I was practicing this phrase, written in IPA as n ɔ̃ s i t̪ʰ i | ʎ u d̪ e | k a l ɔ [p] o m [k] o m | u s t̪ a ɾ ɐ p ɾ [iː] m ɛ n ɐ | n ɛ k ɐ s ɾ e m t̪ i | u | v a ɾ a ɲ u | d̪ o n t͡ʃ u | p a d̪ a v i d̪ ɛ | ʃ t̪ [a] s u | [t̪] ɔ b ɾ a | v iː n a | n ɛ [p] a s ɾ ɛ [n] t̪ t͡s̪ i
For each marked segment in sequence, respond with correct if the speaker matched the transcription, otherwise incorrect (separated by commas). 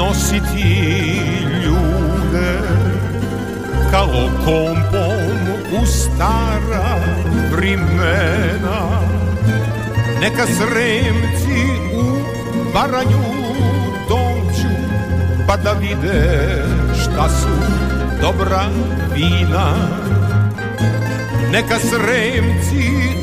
incorrect, incorrect, incorrect, correct, incorrect, incorrect, incorrect